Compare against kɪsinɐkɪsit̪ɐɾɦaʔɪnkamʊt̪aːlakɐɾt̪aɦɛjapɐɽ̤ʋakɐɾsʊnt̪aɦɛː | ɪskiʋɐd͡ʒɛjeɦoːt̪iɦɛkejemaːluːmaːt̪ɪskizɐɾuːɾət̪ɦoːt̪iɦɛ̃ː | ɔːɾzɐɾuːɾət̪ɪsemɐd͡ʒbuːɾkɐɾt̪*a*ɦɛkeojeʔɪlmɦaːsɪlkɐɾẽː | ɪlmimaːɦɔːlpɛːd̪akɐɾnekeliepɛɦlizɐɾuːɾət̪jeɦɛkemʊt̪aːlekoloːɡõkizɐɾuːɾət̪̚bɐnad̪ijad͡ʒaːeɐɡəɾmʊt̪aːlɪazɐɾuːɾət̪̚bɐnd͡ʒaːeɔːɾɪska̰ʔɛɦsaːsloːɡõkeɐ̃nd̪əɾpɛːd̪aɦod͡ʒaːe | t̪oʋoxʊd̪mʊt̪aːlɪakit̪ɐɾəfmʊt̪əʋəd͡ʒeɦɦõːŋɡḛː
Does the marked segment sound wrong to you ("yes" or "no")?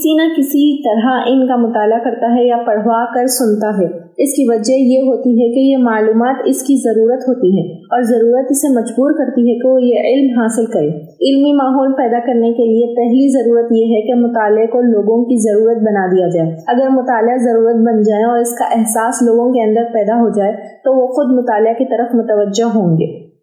yes